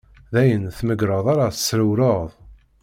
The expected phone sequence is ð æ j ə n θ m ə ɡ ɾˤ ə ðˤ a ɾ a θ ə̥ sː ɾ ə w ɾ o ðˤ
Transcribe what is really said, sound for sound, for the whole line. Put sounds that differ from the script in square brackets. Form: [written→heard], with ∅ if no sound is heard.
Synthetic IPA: ð æ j ə n θ m ə ɡ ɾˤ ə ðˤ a ɾ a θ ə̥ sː ɾ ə w ɾ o ðˤ